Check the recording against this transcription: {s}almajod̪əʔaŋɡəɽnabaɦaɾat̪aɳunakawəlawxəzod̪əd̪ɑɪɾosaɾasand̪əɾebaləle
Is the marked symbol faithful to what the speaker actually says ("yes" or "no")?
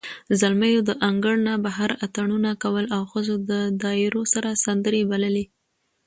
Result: no